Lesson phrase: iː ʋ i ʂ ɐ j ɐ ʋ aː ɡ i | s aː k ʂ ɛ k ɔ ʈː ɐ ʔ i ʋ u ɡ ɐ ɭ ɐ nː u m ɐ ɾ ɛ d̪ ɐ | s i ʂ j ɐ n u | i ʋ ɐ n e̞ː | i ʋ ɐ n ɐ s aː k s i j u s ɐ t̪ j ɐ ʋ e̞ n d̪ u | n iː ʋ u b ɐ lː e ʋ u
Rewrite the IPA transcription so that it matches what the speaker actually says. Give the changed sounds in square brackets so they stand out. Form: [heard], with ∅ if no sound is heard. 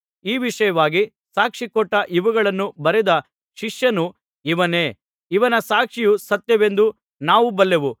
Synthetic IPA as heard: iː ʋ i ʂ ɐ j ɐ ʋ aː ɡ i | s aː k ʂ [i] k ɔ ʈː ɐ ʔ i ʋ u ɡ ɐ ɭ ɐ nː u [b] ɐ ɾ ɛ d̪ ɐ | [ʃ] i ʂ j ɐ n u | i ʋ ɐ n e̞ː | i ʋ ɐ n ɐ s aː k [ʂ] i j u s ɐ t̪ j ɐ ʋ e̞ n d̪ u | n [aː] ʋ u b ɐ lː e ʋ u